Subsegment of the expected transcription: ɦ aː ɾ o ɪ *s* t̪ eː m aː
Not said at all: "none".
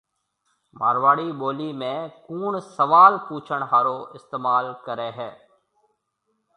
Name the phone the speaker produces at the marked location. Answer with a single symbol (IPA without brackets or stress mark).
s